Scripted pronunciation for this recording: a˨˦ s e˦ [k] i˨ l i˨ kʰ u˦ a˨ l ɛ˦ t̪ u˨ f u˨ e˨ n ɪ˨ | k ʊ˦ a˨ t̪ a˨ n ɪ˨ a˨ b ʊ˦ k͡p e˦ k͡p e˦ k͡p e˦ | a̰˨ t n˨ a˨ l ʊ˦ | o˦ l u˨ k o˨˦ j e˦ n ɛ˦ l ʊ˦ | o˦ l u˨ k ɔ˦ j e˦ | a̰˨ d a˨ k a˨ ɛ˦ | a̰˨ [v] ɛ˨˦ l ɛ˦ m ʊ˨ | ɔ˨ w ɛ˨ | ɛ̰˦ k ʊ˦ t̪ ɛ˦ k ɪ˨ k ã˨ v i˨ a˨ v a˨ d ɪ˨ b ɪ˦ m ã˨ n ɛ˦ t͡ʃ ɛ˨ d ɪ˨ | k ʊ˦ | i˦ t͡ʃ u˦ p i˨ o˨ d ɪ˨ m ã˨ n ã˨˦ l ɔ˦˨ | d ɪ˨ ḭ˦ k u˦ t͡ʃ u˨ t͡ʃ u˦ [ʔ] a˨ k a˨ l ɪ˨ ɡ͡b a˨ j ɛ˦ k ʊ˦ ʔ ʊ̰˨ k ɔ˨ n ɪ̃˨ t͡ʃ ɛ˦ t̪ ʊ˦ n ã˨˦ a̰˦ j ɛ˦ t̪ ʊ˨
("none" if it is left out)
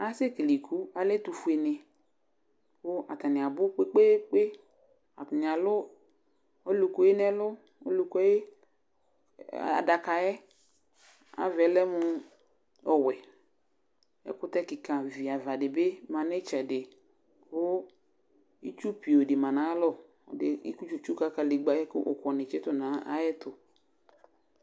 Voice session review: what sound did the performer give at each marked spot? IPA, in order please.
k, v, k

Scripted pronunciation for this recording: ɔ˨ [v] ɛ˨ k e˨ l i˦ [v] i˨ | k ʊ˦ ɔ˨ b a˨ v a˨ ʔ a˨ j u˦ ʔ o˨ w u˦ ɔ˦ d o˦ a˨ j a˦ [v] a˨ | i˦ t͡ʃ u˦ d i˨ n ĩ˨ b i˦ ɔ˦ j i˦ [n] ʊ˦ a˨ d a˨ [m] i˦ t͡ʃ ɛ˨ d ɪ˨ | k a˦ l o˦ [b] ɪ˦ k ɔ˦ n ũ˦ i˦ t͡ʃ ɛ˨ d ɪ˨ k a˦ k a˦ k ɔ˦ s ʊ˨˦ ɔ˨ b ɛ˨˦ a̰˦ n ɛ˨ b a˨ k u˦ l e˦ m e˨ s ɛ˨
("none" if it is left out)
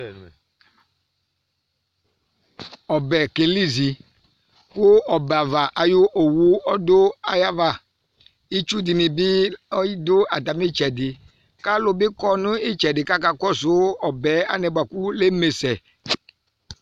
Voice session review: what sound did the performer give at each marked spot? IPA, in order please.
b, z, v, d, m, b

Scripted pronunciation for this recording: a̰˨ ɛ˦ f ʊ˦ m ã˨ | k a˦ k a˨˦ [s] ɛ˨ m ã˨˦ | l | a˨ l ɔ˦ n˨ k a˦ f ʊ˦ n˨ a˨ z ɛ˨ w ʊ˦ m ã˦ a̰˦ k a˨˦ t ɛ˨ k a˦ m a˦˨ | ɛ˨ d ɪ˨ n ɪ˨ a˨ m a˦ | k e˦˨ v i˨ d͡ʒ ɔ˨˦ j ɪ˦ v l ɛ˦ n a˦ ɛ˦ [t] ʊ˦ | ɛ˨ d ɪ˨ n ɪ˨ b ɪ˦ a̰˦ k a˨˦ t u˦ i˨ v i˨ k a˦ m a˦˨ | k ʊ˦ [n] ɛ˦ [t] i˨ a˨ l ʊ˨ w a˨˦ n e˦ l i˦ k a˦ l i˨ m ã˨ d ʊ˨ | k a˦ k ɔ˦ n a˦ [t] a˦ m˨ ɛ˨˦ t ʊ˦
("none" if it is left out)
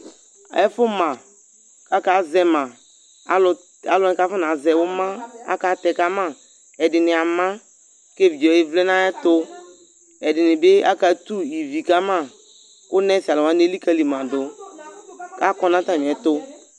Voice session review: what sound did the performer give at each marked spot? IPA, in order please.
z, t, n, s, t

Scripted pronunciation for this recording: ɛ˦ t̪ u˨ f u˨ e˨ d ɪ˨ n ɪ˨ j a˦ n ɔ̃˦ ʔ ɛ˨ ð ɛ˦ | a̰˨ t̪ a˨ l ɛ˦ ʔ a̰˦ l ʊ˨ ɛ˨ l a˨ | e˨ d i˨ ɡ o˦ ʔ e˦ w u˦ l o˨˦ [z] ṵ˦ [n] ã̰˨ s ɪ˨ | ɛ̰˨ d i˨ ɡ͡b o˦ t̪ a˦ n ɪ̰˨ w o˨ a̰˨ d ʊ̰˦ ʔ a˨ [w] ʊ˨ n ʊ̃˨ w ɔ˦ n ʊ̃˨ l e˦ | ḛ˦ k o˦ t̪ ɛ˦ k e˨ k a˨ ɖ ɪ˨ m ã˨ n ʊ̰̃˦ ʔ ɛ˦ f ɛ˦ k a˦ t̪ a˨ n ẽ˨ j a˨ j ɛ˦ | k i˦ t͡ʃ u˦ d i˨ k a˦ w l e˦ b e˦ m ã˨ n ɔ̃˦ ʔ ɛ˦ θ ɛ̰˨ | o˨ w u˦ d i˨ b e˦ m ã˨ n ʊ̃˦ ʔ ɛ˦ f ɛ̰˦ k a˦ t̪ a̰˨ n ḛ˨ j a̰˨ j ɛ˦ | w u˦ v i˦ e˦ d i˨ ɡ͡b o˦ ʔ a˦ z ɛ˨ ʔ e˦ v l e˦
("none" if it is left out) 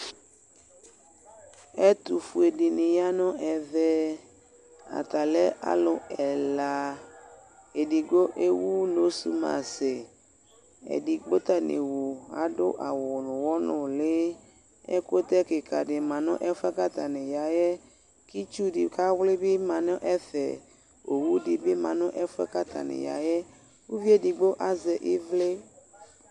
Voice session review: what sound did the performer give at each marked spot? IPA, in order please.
s, m, w

